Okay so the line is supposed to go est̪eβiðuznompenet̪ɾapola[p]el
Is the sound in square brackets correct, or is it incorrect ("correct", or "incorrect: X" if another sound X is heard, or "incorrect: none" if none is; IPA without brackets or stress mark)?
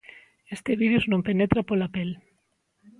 correct